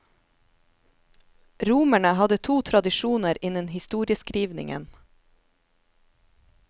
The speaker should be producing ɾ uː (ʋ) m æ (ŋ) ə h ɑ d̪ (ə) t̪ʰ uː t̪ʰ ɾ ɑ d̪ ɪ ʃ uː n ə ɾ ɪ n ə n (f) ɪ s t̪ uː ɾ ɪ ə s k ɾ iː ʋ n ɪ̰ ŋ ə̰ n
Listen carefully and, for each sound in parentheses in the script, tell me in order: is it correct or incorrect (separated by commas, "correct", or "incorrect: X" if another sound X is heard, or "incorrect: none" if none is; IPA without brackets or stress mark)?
incorrect: none, incorrect: ɳ, correct, incorrect: h